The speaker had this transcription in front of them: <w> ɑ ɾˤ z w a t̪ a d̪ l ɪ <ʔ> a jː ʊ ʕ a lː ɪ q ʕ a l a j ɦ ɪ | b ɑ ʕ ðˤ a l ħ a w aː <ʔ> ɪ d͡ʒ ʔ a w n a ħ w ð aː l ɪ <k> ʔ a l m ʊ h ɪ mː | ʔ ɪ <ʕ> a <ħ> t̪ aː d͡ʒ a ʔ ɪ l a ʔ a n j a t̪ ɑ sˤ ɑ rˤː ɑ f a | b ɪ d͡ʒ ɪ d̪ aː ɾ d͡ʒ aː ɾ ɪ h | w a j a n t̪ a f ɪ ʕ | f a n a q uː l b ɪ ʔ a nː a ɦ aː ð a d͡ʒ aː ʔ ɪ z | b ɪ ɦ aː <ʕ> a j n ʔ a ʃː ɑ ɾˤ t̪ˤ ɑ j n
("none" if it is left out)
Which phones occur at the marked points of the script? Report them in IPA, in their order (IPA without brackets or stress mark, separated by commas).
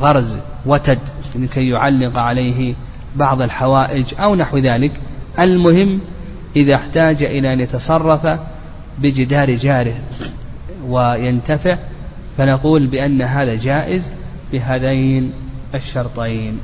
ɣ, k, ʔ, k, ð, ħ, ð